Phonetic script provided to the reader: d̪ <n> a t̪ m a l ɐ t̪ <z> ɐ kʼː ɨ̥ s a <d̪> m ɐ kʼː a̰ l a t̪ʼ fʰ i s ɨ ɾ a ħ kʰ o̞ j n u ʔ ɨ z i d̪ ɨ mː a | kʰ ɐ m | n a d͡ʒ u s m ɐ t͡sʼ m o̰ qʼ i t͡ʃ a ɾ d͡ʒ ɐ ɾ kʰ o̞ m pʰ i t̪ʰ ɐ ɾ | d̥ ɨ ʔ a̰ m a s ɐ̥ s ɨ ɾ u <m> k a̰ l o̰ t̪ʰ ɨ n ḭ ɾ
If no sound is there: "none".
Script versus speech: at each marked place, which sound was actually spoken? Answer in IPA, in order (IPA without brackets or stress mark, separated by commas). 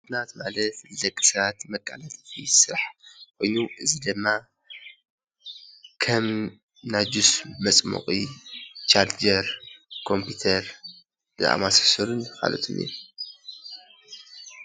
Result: n, z, t̪, n